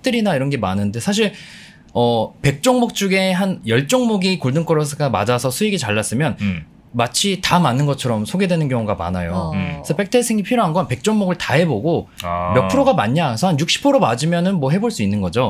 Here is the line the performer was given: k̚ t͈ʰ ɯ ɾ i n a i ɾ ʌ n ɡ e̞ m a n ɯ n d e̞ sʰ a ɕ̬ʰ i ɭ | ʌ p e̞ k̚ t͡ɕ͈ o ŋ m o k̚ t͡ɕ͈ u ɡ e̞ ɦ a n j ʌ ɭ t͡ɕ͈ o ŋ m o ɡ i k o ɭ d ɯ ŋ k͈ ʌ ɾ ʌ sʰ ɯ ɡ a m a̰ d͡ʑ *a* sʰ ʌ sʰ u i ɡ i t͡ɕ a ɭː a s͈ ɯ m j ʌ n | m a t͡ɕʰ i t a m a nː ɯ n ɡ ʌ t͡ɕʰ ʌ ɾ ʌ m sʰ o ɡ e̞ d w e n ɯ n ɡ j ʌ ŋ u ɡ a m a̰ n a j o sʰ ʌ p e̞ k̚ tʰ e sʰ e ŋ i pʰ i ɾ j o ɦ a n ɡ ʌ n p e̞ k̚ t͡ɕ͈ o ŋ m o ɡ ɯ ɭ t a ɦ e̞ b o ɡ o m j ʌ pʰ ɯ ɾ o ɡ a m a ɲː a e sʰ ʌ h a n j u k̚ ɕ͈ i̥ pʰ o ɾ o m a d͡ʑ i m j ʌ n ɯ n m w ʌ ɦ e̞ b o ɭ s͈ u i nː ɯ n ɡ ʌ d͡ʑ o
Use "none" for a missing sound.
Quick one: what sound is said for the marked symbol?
a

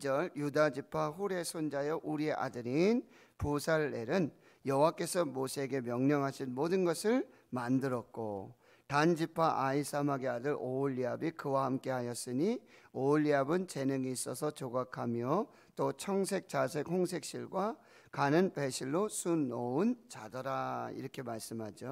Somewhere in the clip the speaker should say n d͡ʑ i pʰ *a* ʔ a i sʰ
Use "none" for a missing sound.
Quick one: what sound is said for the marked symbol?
a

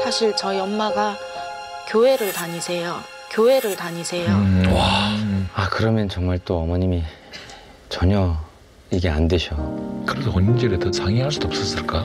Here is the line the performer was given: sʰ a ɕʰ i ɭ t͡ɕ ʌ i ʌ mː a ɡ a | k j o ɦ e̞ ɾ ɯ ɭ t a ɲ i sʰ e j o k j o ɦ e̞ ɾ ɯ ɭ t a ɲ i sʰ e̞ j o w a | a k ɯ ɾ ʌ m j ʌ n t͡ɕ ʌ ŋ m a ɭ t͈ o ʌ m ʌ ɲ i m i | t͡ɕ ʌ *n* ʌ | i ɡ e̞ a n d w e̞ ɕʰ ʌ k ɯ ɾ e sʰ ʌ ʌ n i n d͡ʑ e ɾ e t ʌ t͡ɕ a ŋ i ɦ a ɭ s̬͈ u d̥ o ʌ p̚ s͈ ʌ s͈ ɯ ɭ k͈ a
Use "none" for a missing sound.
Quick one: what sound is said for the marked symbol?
ɲ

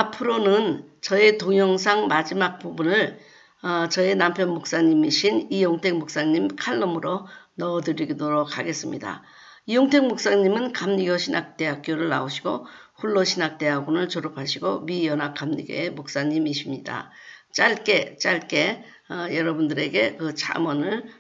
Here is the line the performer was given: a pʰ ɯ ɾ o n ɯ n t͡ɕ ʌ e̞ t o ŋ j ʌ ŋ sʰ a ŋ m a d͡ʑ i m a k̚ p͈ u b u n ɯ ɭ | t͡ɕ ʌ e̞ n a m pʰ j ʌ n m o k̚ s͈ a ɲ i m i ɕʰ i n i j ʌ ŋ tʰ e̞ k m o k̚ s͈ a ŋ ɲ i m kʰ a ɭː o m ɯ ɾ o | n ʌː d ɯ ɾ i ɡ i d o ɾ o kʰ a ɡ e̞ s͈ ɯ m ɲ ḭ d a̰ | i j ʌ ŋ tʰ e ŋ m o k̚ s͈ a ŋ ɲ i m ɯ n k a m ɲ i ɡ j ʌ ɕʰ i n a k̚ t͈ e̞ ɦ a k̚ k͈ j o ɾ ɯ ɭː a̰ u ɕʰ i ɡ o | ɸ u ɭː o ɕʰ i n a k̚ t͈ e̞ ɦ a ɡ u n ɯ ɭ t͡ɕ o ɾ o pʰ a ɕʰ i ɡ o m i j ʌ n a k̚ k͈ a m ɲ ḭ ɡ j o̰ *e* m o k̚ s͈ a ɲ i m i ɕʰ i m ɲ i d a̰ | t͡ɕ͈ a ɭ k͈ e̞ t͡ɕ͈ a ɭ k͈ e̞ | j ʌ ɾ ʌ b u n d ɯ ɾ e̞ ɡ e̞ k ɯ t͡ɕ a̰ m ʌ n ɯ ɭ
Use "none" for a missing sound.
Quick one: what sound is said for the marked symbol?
e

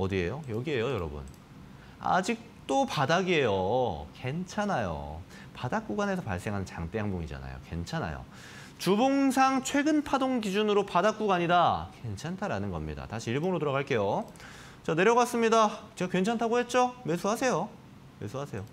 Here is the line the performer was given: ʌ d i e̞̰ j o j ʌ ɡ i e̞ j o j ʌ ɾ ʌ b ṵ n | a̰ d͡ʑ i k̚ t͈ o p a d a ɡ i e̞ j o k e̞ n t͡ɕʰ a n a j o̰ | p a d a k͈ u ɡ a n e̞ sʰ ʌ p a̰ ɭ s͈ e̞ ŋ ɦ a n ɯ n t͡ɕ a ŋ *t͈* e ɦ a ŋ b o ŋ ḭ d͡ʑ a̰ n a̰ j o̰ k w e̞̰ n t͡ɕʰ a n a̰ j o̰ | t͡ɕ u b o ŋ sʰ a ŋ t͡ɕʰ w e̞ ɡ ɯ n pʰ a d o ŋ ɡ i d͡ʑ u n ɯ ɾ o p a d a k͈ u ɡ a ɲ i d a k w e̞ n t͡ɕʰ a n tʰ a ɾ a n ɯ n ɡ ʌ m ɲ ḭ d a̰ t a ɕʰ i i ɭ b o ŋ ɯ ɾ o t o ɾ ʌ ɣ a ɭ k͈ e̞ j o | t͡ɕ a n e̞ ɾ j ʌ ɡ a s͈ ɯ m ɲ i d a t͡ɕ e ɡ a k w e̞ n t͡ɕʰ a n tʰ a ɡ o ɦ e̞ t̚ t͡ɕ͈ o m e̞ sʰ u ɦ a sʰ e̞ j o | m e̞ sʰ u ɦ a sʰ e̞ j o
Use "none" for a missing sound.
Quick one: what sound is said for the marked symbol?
t͈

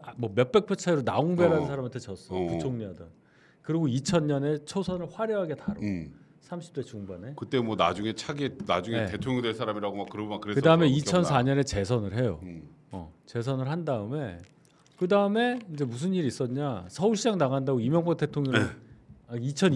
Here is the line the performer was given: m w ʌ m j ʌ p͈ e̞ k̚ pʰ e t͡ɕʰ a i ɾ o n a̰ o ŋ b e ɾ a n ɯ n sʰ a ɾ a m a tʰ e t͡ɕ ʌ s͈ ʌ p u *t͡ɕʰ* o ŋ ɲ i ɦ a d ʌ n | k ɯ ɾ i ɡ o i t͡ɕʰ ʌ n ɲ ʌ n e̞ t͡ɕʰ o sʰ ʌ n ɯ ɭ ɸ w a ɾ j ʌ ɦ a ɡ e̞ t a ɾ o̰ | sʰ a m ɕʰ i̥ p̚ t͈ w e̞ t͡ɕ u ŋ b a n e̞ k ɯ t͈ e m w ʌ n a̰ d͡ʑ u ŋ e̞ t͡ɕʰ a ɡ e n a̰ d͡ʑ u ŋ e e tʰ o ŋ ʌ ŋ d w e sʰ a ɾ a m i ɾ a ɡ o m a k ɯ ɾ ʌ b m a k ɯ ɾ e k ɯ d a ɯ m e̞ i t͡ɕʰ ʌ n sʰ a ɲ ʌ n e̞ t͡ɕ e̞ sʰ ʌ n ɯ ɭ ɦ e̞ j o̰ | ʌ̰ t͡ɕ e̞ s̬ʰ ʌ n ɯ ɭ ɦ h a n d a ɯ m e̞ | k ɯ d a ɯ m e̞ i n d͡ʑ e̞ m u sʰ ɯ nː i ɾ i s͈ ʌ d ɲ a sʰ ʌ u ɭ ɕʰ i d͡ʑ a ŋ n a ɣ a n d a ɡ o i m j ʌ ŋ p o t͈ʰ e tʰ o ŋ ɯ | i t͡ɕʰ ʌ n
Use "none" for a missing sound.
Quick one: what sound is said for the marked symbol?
t͡ɕʰ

